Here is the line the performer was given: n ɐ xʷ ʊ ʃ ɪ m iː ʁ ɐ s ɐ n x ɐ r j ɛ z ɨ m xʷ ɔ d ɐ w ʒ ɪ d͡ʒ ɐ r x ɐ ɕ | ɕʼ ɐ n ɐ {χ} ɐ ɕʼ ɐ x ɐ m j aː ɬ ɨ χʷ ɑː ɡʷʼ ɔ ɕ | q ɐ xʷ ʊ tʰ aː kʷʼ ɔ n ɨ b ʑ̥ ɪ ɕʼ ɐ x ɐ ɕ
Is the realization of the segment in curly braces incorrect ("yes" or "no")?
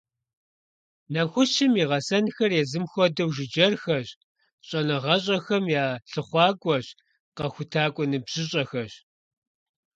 yes